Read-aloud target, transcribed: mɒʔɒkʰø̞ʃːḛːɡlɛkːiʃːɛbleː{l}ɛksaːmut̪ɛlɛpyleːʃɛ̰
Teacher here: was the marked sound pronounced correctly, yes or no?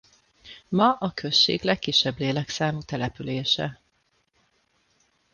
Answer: yes